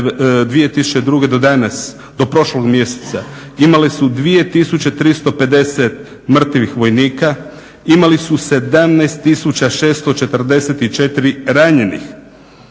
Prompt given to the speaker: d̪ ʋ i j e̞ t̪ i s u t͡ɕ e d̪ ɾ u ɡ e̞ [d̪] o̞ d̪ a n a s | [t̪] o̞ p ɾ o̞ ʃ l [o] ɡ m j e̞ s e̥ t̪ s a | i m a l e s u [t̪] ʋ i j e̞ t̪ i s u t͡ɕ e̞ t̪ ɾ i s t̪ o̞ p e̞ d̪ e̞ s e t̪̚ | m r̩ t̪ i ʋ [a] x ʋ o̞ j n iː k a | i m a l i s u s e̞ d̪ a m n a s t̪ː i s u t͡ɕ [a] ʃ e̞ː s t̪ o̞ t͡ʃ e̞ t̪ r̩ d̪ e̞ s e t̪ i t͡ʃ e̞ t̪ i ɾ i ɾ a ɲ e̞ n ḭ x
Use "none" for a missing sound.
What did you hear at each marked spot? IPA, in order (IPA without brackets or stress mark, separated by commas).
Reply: d̪, d̪, o, d̪, i, a